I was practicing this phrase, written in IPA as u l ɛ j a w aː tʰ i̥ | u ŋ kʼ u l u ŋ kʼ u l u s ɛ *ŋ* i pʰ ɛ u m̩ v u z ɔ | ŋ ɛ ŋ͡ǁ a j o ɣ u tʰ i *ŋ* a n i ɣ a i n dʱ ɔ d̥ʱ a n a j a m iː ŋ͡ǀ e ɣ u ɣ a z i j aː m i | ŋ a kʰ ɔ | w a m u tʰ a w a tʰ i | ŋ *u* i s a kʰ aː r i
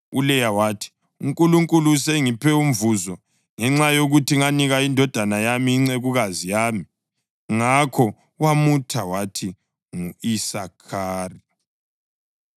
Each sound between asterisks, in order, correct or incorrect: correct, correct, correct

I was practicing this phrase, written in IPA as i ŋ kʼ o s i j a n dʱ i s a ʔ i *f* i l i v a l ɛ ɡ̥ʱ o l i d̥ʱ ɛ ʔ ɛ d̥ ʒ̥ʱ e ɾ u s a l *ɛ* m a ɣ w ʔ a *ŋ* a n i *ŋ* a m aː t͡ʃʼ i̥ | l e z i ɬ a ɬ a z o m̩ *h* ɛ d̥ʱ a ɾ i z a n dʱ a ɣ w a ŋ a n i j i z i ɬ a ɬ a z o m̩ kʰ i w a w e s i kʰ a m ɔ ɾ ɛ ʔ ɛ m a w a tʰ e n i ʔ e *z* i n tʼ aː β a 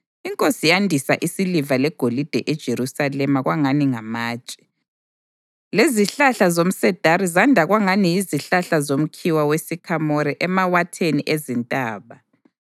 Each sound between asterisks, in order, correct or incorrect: incorrect: s, correct, correct, correct, incorrect: s, correct

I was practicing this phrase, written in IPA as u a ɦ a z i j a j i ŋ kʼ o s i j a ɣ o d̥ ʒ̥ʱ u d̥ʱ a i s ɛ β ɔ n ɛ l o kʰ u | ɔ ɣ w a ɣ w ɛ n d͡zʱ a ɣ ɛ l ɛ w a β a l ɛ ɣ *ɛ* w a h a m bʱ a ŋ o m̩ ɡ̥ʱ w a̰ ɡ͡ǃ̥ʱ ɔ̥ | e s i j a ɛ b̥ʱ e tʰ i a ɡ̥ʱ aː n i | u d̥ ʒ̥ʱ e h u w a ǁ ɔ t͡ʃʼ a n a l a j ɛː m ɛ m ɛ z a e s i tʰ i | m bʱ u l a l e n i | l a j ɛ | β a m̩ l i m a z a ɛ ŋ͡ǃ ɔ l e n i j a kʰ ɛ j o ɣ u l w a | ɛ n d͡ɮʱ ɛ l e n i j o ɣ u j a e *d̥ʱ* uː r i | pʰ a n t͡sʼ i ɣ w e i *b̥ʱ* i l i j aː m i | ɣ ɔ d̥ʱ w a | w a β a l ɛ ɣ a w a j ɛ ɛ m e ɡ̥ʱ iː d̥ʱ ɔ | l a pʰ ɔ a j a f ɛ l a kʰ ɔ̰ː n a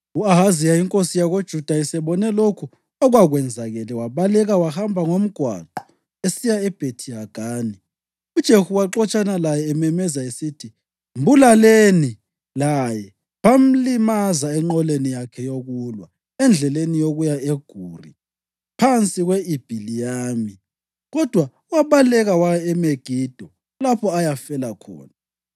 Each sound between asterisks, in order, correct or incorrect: incorrect: a, incorrect: ɡ̥ʱ, correct

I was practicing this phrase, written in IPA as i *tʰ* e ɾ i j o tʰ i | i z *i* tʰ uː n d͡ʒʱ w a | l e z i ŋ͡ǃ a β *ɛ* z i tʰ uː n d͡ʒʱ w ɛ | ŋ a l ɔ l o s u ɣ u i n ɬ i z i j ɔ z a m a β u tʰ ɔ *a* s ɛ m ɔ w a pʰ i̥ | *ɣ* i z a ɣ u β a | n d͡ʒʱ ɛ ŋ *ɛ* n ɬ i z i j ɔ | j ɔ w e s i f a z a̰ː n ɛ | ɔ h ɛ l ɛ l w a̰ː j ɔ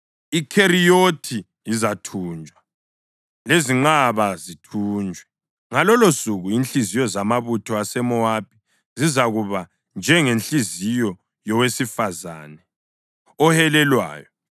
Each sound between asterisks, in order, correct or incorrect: incorrect: kʰ, incorrect: a, incorrect: a, correct, incorrect: z, incorrect: e

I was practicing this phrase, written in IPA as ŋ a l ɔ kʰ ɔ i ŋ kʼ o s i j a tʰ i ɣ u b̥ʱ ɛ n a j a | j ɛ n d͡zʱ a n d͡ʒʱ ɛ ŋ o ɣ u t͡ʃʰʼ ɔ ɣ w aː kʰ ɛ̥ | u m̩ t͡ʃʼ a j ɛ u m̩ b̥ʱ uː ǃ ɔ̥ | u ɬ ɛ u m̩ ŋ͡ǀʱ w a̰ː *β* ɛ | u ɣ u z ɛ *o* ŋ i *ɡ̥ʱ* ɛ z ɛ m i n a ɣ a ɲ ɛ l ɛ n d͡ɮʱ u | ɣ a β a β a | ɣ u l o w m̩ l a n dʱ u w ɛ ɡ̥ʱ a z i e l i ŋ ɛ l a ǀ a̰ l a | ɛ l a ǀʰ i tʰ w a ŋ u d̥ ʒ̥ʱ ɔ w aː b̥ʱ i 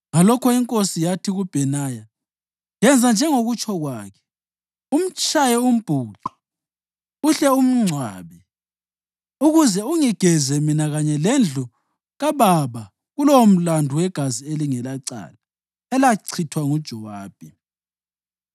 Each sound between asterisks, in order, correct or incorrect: correct, incorrect: u, correct

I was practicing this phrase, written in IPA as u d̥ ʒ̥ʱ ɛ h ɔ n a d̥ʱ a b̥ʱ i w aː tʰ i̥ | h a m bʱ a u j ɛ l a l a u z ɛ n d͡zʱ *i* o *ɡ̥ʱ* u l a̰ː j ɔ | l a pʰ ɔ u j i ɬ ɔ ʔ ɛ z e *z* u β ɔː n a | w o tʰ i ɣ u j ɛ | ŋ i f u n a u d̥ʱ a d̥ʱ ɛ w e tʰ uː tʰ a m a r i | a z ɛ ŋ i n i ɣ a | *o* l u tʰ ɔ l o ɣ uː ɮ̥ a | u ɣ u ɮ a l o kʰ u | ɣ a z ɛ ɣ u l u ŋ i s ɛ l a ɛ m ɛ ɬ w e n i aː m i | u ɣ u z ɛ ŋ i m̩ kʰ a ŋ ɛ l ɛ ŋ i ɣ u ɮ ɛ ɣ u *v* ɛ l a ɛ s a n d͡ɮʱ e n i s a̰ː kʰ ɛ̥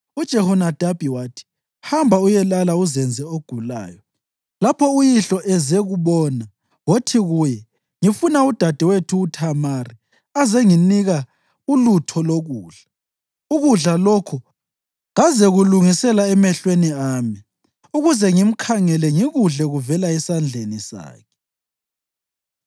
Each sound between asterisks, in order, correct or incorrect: incorrect: ɛ, correct, incorrect: ɣ, incorrect: u, correct

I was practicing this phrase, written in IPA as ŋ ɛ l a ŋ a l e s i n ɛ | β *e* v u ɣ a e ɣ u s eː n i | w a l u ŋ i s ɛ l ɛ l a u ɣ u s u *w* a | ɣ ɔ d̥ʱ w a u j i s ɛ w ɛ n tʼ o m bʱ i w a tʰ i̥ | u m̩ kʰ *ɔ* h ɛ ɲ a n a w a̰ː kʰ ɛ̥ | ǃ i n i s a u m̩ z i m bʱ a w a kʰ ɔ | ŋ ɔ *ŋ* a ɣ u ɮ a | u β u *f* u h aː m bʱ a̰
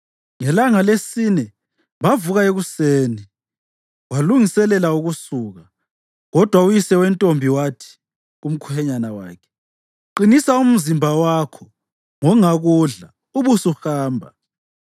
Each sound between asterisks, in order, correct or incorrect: incorrect: a, incorrect: ɣ, incorrect: u, correct, incorrect: s

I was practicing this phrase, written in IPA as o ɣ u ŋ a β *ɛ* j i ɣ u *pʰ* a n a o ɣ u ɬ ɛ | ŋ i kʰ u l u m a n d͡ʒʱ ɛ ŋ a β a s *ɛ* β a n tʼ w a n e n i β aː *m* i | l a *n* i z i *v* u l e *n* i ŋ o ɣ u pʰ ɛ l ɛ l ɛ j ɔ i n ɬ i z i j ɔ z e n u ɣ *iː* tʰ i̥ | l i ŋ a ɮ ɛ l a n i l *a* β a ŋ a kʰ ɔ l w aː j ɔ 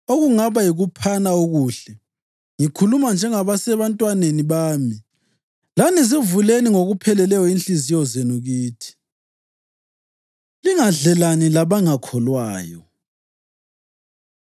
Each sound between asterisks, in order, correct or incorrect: incorrect: a, correct, correct, correct, correct, correct, correct, correct, correct

